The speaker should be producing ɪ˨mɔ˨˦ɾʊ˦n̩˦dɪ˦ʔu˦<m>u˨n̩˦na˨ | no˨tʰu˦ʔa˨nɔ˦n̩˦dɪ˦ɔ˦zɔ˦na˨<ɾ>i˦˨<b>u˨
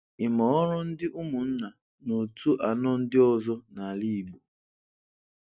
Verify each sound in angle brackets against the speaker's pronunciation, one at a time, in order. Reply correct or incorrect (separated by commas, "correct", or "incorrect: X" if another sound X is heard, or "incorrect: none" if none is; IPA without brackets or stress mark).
correct, incorrect: l, incorrect: ɡ͡b